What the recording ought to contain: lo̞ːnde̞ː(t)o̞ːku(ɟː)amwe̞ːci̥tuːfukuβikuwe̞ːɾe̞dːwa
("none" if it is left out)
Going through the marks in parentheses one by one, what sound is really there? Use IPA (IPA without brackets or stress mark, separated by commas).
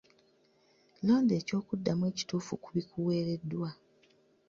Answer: c, dː